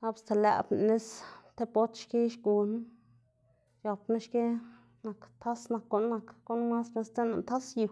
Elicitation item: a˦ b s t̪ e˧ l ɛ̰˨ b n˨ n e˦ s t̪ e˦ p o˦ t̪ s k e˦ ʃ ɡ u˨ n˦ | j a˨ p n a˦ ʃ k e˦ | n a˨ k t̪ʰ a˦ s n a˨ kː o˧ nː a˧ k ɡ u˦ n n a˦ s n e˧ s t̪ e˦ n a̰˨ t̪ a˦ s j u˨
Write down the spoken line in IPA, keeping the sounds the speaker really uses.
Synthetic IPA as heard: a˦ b s t̪ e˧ l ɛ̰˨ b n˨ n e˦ s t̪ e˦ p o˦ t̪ ʃ k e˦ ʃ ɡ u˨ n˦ | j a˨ p n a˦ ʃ k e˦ | n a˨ k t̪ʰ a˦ s n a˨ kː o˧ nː a˧ k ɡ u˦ n m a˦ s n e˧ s t̪ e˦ n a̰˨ t̪ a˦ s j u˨